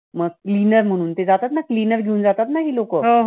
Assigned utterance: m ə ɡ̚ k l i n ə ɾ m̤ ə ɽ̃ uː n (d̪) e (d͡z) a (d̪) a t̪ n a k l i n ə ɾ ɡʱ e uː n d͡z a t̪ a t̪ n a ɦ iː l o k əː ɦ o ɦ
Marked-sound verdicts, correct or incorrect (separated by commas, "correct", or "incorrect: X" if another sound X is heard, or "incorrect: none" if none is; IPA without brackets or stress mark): incorrect: t̪, correct, incorrect: t̪